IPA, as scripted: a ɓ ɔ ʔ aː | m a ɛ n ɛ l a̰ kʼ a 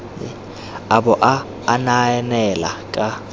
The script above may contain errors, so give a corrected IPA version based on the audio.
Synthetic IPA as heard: a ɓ ɔ ʔ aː | n a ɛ n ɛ l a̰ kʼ a